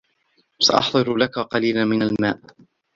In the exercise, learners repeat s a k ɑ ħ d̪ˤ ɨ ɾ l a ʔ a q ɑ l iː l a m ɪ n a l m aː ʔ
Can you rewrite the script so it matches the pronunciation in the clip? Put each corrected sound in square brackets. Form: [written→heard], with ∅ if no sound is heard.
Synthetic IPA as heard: s a [k→ʔ] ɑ ħ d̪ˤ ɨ ɾ l a [ʔ→k] a q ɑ l iː l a m ɪ n a l m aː ʔ